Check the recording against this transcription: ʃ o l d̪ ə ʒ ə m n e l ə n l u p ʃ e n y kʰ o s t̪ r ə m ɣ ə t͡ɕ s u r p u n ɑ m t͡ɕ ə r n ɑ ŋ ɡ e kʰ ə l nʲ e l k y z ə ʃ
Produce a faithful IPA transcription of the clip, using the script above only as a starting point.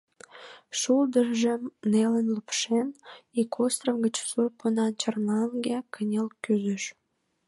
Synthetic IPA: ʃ u l d̪ ə ʒ ə m n e l ə n l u p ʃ e n i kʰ o s t̪ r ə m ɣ ə t͡ɕ s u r p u n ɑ n t͡ɕ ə r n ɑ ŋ ɡ e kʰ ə nʲ e l k y z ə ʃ